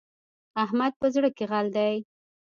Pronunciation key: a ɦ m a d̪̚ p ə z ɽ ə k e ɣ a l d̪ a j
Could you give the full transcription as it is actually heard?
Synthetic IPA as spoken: a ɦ m a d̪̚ p ə z ɽ ə k e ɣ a l d̪ a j